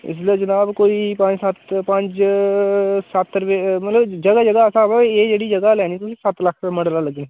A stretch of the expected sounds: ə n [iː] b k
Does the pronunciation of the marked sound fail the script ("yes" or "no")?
yes